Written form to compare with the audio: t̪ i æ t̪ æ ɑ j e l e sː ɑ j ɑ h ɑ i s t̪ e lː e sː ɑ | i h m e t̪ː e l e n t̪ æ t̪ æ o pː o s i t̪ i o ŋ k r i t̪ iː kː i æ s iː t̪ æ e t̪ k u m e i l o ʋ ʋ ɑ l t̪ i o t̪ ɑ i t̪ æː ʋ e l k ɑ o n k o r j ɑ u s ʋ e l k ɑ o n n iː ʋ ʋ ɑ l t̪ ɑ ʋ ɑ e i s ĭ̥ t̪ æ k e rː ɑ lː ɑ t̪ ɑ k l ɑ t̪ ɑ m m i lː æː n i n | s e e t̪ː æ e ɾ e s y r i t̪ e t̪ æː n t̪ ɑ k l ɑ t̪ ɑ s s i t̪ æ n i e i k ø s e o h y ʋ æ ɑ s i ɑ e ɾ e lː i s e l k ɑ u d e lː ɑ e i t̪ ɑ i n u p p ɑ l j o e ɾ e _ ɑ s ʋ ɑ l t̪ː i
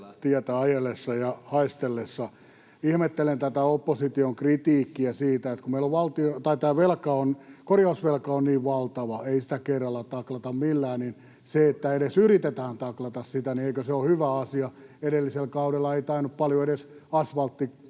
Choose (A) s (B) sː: A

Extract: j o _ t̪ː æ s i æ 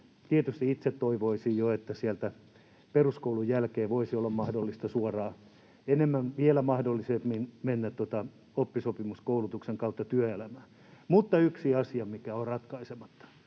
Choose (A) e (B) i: A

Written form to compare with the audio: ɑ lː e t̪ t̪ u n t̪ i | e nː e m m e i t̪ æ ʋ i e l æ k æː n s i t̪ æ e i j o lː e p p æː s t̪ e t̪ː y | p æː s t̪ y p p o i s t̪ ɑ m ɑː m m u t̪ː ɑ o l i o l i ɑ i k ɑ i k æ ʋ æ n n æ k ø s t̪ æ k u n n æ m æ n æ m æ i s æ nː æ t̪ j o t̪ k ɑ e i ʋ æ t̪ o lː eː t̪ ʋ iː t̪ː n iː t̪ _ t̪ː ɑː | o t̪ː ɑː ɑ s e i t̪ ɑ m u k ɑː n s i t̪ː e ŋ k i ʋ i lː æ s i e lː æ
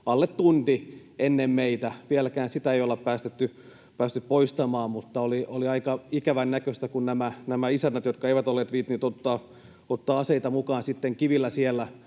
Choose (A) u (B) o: B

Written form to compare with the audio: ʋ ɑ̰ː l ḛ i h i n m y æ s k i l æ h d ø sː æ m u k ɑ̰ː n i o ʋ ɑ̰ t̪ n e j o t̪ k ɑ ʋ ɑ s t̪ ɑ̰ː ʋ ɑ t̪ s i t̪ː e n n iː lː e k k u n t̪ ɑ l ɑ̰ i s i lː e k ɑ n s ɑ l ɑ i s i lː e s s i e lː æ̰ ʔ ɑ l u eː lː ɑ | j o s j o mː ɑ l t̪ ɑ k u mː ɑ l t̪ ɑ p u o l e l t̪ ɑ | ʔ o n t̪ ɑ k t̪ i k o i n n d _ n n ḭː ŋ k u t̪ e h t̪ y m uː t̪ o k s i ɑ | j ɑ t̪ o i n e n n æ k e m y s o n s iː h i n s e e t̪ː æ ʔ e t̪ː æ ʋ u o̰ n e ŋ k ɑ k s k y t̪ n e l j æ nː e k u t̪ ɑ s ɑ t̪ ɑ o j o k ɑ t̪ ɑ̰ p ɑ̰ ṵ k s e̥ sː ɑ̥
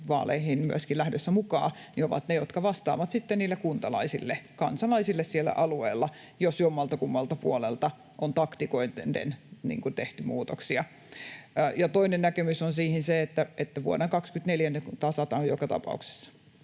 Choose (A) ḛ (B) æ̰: A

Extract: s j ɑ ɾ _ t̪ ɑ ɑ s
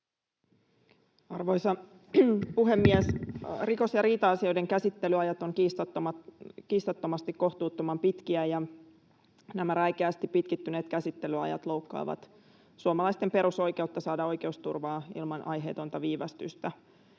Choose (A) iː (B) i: A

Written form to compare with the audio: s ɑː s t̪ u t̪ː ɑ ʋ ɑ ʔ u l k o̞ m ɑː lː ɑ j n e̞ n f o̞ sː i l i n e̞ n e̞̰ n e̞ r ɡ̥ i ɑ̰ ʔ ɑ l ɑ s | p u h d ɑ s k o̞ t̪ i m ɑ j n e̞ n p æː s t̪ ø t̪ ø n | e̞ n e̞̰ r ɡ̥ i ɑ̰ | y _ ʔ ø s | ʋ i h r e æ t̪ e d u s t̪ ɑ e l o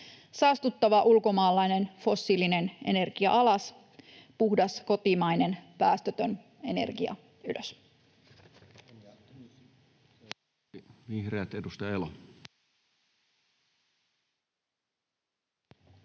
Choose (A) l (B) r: A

